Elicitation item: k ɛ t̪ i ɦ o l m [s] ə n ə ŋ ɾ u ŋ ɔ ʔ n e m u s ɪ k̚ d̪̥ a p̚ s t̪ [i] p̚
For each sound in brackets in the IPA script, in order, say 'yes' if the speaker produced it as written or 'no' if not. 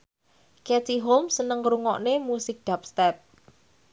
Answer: yes, no

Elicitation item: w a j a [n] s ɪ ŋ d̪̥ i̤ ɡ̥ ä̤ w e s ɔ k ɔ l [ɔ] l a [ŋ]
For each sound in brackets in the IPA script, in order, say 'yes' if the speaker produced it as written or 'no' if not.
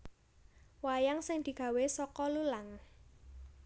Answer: no, no, yes

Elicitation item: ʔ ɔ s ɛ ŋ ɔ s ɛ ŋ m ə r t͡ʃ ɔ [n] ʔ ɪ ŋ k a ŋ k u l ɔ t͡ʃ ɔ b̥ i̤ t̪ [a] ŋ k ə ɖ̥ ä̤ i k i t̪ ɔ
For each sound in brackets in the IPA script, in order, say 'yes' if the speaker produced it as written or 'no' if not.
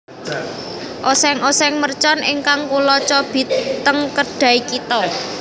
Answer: yes, no

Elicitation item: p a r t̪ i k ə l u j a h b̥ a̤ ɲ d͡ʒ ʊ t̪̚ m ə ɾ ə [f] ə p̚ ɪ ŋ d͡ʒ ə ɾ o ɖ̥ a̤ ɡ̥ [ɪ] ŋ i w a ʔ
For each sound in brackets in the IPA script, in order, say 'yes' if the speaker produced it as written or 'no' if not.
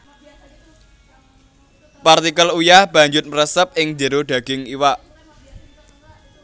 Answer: no, yes

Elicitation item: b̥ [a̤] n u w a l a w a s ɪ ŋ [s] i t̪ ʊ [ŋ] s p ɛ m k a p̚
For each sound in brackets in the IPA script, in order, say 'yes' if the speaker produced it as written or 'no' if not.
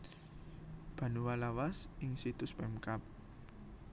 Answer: yes, yes, no

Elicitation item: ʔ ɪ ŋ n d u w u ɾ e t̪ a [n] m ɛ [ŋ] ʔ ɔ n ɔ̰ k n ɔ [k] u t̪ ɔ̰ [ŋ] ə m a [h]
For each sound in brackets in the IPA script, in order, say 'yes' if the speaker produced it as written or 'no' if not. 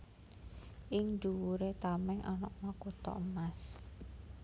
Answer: no, yes, yes, no, no

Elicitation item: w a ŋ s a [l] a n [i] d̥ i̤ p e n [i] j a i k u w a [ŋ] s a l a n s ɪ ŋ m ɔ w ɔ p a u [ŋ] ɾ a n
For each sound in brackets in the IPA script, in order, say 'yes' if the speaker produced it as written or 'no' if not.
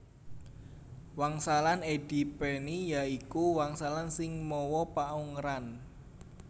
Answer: yes, no, yes, yes, yes

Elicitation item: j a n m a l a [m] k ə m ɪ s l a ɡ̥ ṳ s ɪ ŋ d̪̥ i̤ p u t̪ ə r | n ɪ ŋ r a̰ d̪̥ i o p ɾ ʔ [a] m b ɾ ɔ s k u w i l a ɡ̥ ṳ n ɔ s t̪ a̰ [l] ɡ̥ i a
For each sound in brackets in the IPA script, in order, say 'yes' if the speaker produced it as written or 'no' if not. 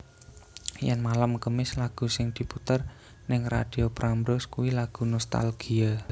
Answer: yes, yes, yes

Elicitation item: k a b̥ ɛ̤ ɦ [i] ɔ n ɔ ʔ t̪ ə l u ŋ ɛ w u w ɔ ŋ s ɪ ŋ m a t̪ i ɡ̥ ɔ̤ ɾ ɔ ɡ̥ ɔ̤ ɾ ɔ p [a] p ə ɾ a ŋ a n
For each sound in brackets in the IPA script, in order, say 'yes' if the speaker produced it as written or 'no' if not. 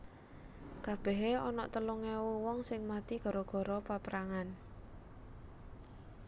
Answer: no, yes

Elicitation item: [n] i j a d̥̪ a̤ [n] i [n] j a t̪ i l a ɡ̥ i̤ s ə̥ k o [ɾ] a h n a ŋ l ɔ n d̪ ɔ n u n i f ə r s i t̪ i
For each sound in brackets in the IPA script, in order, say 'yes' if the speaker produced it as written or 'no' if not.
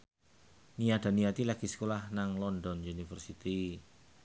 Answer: yes, yes, no, no

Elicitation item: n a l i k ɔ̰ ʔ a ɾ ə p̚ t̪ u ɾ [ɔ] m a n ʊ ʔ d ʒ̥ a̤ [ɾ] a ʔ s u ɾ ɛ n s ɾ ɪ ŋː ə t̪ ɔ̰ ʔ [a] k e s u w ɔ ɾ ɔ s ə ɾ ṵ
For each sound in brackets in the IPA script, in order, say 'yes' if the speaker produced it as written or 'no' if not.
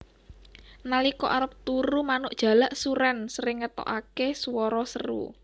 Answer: no, no, yes

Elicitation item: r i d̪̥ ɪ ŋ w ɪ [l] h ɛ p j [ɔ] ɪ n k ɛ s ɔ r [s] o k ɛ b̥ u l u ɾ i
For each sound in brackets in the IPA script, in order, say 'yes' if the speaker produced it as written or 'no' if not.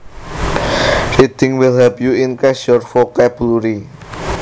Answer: yes, no, no

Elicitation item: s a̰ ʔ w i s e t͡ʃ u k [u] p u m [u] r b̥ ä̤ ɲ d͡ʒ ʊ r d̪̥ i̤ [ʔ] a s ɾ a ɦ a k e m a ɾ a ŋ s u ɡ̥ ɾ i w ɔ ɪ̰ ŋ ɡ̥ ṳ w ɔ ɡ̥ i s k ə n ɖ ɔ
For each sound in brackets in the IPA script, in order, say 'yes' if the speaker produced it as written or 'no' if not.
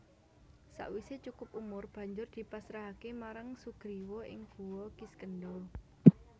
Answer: no, no, no

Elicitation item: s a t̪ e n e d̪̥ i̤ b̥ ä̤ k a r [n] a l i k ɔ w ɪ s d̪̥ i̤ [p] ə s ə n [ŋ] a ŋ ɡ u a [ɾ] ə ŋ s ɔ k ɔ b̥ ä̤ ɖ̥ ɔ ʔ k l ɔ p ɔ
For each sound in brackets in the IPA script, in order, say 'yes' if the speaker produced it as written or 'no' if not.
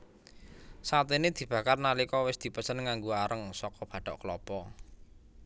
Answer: yes, yes, yes, yes

